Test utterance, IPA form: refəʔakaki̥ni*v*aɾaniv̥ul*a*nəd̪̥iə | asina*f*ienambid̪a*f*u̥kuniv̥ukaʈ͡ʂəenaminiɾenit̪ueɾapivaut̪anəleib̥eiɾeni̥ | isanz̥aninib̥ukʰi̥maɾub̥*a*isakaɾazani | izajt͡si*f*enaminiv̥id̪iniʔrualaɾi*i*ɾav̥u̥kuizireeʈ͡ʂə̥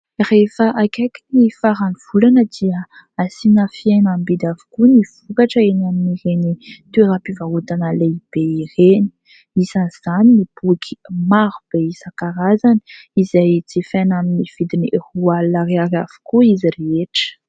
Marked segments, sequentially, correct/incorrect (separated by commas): incorrect, correct, correct, incorrect, incorrect, correct, incorrect